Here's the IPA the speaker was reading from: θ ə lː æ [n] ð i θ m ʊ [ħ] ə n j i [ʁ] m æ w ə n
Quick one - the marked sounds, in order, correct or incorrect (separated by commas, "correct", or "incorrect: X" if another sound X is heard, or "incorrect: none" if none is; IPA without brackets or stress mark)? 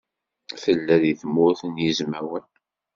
incorrect: none, incorrect: θ, incorrect: z